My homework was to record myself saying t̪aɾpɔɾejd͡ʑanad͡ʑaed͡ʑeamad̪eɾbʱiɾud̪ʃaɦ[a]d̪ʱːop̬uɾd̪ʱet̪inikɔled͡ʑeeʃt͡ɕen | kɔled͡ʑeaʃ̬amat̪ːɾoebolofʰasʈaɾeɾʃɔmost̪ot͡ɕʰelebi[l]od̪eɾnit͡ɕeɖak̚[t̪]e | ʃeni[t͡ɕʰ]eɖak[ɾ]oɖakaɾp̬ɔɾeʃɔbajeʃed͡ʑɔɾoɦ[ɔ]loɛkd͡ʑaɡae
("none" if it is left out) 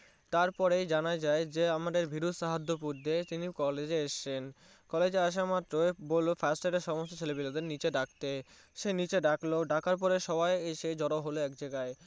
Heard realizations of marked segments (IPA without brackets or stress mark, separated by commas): a, l, t̪, t͡ɕ, l, o